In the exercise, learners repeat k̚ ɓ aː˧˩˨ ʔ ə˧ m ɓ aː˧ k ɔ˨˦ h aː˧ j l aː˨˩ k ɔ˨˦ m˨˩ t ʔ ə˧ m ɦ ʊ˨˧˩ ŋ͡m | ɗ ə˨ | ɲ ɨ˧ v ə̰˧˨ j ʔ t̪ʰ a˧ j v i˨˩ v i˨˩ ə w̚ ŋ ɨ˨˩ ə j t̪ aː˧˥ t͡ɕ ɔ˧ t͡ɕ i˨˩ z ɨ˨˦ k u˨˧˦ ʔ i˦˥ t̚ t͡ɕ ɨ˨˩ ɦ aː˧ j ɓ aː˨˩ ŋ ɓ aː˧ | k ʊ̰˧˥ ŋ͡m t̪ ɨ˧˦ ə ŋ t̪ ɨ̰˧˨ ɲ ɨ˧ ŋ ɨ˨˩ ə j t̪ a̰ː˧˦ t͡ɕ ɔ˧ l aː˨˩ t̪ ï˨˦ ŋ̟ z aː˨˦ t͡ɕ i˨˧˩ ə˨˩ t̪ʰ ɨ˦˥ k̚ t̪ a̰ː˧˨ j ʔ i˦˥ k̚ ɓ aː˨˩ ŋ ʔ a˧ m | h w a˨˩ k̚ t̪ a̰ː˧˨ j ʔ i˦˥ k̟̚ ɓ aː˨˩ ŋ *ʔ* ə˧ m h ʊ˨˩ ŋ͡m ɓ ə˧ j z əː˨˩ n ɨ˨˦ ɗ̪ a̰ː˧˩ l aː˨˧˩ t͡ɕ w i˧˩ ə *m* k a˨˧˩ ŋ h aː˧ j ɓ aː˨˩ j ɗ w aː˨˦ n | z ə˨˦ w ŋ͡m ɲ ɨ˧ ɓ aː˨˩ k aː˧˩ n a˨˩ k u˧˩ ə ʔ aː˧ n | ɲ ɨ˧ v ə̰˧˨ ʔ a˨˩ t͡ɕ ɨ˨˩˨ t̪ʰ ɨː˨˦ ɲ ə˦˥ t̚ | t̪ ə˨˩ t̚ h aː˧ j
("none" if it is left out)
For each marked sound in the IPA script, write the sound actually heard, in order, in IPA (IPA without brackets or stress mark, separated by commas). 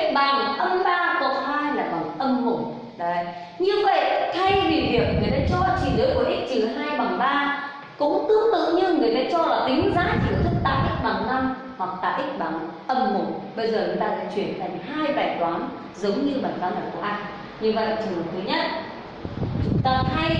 ʔ, n